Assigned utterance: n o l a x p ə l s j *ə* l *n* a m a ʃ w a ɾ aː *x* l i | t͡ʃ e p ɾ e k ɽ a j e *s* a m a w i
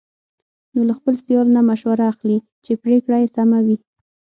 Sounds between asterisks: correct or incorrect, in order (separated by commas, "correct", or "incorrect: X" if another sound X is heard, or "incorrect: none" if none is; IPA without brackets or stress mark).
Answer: incorrect: ɑ, correct, correct, correct